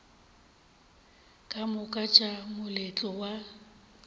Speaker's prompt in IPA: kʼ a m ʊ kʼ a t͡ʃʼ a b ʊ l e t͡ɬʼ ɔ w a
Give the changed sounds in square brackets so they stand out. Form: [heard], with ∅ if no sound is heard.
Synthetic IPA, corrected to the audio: kʼ a m ʊ kʼ a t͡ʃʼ a [m] ʊ l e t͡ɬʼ ɔ w a